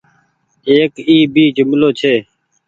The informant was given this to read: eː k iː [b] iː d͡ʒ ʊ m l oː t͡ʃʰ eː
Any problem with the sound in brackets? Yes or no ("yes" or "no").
no